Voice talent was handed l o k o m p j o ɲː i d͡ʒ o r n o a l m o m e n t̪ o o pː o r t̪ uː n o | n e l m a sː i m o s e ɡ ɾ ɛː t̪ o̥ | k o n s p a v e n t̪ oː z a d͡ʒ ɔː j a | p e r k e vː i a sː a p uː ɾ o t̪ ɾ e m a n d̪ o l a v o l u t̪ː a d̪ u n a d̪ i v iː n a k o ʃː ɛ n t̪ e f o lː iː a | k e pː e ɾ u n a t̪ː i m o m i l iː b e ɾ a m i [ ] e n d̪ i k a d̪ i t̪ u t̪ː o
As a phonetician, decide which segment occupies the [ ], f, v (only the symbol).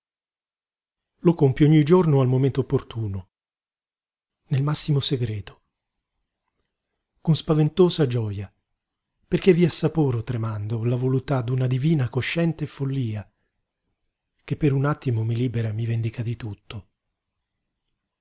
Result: v